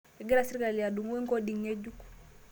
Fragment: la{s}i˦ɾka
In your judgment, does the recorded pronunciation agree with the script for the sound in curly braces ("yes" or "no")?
yes